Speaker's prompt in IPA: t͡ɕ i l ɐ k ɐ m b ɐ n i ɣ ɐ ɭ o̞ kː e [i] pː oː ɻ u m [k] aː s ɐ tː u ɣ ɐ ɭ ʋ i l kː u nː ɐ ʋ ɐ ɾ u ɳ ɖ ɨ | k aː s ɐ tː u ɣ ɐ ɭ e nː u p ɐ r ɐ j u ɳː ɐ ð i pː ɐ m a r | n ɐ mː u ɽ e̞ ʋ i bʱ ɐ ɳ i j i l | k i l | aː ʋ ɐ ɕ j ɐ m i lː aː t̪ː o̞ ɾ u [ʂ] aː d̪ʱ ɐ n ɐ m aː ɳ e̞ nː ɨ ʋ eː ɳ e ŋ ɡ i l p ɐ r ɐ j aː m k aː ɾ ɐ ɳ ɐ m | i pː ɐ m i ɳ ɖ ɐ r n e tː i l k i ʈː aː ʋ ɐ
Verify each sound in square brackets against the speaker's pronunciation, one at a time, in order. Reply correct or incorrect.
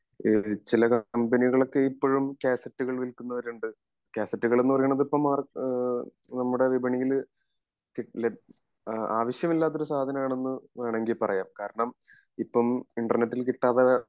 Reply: correct, correct, incorrect

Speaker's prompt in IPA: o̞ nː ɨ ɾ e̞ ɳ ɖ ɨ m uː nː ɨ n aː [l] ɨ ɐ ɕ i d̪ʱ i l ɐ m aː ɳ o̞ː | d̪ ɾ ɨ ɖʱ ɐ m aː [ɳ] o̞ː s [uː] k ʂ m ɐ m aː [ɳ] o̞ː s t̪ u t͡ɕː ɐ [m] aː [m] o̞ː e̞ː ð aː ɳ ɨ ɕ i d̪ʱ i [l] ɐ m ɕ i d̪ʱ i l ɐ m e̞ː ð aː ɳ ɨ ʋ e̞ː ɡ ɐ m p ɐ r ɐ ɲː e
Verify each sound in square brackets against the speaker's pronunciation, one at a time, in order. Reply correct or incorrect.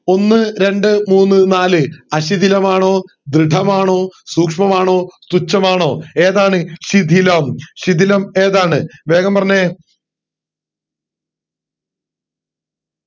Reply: correct, correct, correct, correct, correct, incorrect, correct

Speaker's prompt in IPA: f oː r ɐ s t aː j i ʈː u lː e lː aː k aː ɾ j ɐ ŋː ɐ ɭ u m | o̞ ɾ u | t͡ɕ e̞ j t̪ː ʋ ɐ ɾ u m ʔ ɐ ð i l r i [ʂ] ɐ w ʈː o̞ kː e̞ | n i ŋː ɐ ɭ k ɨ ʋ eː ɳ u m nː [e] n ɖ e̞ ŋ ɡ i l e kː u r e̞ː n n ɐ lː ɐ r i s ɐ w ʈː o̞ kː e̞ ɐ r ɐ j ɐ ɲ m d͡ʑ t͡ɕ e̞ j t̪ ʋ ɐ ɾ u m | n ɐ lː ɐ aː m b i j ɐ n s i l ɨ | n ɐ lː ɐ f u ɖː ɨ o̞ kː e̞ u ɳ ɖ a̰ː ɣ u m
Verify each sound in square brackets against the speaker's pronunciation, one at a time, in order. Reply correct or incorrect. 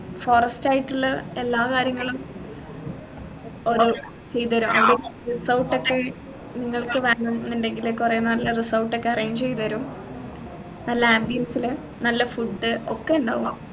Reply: incorrect, incorrect

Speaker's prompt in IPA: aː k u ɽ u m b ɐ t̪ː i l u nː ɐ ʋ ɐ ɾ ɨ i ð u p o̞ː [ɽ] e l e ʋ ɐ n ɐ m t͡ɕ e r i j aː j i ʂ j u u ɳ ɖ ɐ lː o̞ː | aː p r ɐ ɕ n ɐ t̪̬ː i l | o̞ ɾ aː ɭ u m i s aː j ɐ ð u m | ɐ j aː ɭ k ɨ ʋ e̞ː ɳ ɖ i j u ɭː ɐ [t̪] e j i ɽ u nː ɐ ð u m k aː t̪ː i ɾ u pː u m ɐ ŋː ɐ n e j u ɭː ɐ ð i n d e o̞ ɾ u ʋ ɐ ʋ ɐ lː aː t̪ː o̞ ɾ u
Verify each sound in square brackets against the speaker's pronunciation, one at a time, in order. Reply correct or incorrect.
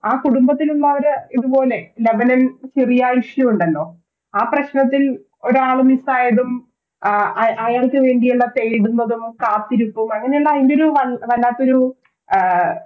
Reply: incorrect, correct

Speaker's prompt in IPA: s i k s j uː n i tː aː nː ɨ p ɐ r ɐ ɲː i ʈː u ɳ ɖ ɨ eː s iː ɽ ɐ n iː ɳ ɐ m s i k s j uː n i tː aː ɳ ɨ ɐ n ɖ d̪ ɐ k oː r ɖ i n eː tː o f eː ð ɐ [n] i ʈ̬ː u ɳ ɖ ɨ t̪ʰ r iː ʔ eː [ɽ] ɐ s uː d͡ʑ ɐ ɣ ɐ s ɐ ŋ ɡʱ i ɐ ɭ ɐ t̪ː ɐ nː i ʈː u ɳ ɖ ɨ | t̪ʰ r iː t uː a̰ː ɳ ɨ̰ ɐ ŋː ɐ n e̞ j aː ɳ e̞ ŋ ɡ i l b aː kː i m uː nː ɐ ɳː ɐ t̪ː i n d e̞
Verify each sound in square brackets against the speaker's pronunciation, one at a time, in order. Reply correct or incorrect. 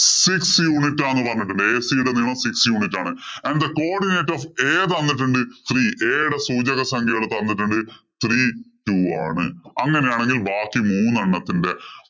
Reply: incorrect, correct

